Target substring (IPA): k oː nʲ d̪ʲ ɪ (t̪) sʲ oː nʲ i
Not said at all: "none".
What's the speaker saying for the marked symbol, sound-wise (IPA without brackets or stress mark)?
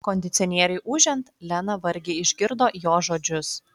t̪